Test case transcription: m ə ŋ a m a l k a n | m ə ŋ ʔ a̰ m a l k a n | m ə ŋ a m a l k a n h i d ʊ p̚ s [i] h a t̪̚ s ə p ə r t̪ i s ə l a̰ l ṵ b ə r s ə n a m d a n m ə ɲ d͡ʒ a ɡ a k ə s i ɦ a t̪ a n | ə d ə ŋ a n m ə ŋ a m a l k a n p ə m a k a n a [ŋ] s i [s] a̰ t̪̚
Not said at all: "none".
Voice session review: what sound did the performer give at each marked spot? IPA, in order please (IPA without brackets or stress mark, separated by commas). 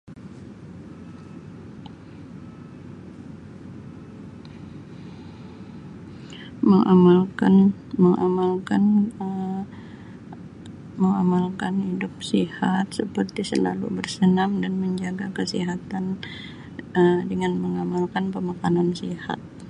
i, n, h